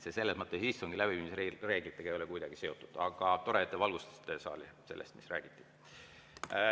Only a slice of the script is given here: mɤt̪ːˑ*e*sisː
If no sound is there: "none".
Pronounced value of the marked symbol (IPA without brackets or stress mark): e